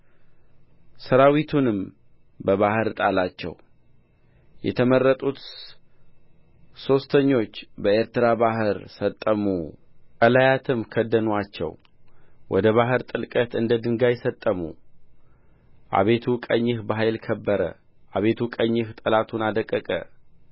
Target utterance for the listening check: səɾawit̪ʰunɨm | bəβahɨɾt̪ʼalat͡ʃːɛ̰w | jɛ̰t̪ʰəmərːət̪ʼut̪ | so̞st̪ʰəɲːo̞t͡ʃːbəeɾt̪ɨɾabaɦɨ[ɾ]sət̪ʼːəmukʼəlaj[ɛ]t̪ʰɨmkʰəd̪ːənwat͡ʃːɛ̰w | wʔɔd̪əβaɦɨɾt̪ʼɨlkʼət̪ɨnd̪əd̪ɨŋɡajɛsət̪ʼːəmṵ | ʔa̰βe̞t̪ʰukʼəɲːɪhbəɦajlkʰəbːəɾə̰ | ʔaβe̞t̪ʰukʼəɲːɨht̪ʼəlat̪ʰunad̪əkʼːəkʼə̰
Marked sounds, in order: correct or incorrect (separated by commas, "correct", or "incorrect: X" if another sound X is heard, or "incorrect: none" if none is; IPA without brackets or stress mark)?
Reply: correct, incorrect: a